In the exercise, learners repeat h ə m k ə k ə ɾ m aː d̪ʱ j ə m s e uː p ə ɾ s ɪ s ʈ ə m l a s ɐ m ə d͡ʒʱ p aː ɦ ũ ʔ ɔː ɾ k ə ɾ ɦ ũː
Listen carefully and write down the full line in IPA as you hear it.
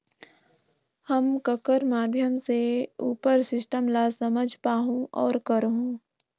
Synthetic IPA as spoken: h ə m k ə k ə ɾ m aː d̪ʱ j ə m s e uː p ə ɾ s ɪ s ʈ ə m l a s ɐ m ə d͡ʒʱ p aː ɦ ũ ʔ ɔː ɾ k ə ɾ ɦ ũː

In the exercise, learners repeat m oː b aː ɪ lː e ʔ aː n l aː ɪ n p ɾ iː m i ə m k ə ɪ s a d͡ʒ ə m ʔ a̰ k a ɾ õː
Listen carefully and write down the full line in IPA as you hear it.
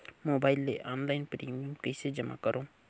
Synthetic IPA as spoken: m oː b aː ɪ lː e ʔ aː n l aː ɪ n p ɾ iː m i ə m k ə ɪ s e d͡ʒ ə m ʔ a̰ k ə ɾ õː

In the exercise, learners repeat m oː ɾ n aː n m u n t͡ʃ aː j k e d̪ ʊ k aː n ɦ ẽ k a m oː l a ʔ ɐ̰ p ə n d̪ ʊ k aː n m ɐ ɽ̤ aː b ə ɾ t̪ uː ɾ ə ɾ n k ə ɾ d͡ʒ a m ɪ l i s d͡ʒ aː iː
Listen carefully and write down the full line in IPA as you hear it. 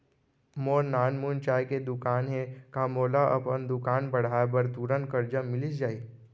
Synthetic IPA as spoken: m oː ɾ n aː n m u n t͡ʃ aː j k e d̪ ʊ k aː n ɦ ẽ k a m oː l a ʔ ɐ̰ p ə n d̪ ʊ k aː n b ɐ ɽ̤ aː b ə ɾ t̪ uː ɾ ə n k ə ɾ d͡ʒ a m ɪ l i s d͡ʒ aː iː

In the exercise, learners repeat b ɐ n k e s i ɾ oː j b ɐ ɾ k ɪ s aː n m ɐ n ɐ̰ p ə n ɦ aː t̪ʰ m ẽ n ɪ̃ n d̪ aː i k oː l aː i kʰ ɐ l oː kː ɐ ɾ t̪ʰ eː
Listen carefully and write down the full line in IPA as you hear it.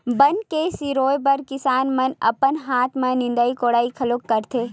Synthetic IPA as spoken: b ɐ n k e s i ɾ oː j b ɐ ɾ k ɪ s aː n m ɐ n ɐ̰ p ə n ɦ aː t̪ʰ m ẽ n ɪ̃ n d̪ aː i k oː ɽ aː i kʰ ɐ l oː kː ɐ ɾ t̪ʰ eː

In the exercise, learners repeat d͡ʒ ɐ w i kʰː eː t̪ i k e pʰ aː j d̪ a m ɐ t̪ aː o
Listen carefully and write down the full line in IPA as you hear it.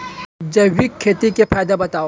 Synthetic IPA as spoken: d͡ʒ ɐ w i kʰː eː t̪ i k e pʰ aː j d̪ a b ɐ t̪ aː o

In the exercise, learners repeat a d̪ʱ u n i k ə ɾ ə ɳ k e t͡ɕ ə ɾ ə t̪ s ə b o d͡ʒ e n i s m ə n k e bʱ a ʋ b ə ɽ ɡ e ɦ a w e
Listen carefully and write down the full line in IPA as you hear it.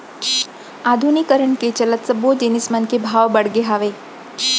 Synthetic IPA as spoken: a d̪ʱ u n i k ə ɾ ə ɳ k e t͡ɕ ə l ə t̪ s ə b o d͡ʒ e n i s m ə n k e bʱ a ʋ b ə ɽ ɡ e ɦ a ʋ e

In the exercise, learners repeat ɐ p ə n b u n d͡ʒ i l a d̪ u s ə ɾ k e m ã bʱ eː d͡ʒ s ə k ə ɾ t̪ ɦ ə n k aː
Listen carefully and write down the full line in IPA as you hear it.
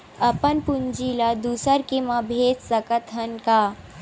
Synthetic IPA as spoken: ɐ p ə n p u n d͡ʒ i l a d̪ u s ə ɾ k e m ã bʱ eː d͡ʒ s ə k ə t̪ ɦ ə n k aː

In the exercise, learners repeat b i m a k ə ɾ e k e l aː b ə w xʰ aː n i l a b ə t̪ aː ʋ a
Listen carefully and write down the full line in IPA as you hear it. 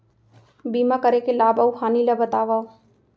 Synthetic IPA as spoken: b i m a k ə ɾ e k e l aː b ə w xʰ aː n i l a b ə t̪ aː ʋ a

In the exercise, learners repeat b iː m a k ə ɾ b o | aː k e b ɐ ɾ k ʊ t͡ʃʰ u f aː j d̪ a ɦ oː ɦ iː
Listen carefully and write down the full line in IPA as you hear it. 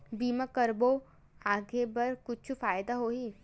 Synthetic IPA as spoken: b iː m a k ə ɾ b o | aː ɡ e b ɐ ɾ k ʊ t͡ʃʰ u f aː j d̪ a ɦ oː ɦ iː

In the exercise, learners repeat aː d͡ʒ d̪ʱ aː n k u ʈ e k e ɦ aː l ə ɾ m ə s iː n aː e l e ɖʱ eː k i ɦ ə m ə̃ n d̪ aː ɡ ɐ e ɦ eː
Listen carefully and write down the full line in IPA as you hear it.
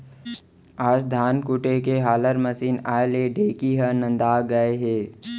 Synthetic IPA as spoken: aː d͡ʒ d̪ʱ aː n k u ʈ e k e ɦ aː l ə ɾ m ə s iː n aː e l e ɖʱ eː k i ɦ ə n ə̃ n d̪ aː ɡ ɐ e ɦ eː

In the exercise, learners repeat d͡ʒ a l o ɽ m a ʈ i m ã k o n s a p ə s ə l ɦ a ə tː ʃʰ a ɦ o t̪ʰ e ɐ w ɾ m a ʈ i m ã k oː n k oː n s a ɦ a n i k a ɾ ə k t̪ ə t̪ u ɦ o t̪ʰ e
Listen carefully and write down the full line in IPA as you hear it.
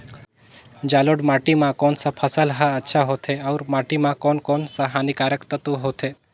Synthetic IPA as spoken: d͡ʒ a l o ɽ m a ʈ i m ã k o n s a pʰ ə s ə l ɦ a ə tː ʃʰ a ɦ o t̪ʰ e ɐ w ɾ m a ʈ i m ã k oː n k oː n s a ɦ a n i k a ɾ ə k t̪ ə t̪ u ɦ o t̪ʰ e

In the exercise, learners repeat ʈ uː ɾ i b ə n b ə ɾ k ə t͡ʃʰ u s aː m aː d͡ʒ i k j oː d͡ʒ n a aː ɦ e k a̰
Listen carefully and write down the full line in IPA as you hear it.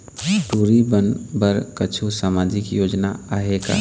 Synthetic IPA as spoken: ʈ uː ɾ i b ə n b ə ɾ k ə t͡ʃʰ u s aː m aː d͡ʒ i k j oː d͡ʒ n a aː ɦ e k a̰

